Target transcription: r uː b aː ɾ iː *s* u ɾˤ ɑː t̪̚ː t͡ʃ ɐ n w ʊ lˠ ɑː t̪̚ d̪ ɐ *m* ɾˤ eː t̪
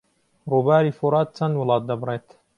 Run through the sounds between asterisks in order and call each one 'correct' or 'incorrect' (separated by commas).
incorrect, incorrect